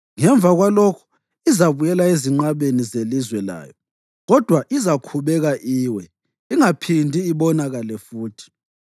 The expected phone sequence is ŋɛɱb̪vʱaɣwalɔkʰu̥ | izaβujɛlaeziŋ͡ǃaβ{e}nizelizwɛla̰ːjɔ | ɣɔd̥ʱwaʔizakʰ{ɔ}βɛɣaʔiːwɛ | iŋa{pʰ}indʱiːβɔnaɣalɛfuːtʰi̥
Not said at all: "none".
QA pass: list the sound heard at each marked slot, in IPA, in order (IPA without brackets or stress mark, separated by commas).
e, u, pʰ